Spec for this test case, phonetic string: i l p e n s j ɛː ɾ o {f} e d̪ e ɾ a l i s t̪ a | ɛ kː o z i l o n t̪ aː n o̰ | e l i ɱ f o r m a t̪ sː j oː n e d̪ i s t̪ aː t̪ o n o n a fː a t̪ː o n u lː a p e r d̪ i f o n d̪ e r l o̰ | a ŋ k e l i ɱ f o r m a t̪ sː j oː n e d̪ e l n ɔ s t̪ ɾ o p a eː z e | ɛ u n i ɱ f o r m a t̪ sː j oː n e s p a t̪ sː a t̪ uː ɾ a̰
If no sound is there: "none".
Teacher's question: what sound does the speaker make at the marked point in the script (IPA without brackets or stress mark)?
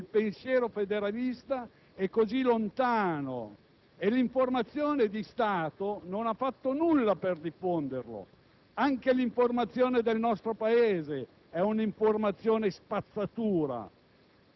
f